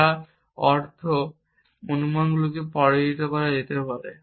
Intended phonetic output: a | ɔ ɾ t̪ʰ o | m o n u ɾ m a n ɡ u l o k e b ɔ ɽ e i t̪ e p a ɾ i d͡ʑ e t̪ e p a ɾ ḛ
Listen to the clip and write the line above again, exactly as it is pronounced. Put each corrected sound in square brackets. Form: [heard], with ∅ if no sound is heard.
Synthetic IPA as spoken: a | ɔ ɾ t̪ʰ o | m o n u [∅] m a n ɡ u l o k e [p] ɔ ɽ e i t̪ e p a ɾ [a] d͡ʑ e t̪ e p a ɾ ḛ